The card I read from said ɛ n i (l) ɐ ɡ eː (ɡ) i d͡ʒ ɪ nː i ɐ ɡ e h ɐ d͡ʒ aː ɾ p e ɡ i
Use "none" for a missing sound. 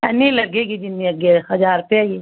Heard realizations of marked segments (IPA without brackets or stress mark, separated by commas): l, ɡ